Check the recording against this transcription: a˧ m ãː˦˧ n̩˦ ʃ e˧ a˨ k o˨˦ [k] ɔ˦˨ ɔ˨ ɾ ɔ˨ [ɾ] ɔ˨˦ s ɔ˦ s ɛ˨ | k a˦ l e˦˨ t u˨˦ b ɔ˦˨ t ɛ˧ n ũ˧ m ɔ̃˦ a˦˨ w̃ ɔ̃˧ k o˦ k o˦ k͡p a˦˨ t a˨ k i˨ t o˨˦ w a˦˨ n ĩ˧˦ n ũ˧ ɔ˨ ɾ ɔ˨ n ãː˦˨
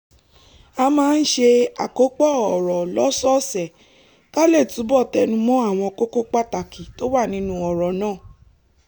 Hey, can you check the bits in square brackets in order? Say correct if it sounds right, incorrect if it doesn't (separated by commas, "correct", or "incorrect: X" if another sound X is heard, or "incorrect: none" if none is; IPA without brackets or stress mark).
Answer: incorrect: k͡p, incorrect: l